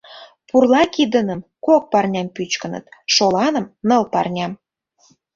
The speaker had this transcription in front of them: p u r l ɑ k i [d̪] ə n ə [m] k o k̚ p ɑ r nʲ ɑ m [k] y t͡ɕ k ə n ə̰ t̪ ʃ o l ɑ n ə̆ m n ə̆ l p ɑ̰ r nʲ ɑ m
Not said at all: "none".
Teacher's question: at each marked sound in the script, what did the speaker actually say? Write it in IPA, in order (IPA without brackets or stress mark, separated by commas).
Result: d̪, m, p